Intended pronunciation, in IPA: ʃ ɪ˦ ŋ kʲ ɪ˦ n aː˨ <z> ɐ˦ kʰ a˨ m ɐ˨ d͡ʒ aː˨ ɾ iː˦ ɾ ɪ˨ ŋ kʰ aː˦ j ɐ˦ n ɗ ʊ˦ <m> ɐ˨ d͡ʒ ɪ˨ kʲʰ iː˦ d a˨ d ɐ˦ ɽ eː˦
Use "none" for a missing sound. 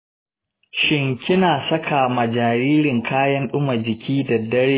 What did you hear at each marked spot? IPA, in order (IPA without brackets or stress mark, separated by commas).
s, m